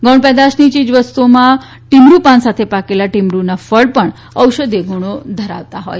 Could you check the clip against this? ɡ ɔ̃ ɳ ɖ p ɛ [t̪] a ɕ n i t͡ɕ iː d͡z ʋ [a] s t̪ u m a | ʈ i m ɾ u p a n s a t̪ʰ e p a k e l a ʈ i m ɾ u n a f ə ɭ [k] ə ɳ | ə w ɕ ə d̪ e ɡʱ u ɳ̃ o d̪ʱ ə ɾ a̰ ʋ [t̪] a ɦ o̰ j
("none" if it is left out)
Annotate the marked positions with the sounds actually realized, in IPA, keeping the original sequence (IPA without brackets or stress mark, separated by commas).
d̪, ə, p, t̪